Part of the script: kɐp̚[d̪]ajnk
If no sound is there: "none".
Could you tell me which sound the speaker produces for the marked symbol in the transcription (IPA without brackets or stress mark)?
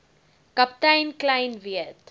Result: t̪